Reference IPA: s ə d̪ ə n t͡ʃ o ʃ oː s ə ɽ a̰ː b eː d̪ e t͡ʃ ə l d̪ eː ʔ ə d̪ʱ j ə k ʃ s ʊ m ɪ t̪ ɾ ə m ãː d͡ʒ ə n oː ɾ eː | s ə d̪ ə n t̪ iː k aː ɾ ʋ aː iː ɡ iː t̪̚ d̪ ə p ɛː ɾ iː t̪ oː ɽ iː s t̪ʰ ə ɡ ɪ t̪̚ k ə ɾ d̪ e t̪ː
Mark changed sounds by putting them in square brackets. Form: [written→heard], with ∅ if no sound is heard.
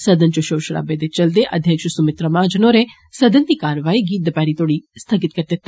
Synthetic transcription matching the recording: s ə d̪ ə n t͡ʃ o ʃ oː [s→ʃ] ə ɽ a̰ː b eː d̪ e t͡ʃ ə l d̪ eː ʔ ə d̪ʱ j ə k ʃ s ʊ m ɪ t̪ ɾ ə m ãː d͡ʒ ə n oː ɾ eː | s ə d̪ ə n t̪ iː k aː ɾ ʋ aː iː ɡ iː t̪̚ d̪ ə p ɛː ɾ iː t̪ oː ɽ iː s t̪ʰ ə ɡ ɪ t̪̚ k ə ɾ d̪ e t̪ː